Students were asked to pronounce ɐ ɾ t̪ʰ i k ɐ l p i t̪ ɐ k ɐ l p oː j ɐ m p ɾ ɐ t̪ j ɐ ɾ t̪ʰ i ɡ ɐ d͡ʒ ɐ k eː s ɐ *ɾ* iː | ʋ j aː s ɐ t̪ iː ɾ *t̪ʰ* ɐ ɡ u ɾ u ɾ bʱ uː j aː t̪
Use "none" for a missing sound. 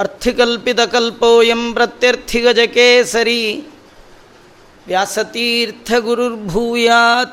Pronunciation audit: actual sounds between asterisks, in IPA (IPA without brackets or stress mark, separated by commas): ɾ, t̪ʰ